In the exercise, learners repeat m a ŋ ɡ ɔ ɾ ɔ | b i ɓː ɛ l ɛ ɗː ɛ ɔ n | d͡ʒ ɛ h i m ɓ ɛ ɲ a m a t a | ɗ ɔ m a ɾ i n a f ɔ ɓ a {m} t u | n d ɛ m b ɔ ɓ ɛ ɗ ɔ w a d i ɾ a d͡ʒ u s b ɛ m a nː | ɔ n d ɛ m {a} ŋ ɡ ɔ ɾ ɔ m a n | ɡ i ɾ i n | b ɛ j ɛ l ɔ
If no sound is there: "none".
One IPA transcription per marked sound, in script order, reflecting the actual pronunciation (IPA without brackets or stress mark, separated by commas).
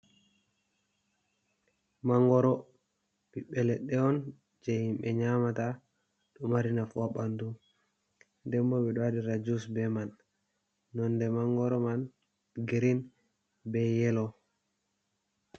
n, a